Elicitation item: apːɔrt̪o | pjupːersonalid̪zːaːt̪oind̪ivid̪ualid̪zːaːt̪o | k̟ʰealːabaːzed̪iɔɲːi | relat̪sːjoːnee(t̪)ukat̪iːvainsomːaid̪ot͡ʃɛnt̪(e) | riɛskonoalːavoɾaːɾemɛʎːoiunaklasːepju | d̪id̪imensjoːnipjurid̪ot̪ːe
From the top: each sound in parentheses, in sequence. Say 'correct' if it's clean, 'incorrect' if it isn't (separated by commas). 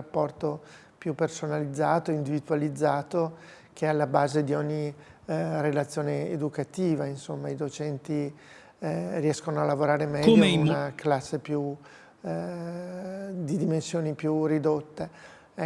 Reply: incorrect, incorrect